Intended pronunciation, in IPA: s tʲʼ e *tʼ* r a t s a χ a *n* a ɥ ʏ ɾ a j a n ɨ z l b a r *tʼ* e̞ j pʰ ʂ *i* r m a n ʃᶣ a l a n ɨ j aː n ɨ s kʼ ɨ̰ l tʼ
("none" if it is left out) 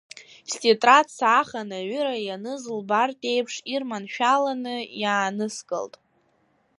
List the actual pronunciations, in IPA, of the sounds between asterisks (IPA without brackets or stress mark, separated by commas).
tʼ, n, tʼ, i